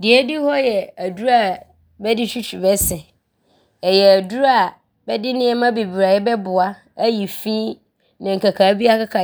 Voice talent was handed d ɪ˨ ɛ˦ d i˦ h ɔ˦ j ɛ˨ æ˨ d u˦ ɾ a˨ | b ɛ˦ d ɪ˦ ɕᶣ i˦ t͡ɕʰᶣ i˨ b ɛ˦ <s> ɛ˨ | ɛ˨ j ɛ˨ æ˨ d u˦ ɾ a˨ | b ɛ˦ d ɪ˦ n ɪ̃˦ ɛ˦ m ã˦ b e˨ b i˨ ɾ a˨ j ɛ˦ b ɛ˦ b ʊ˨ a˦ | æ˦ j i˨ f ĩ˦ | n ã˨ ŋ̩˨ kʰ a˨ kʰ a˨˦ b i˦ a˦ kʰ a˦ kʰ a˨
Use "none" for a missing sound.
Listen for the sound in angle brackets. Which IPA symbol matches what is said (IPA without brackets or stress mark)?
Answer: s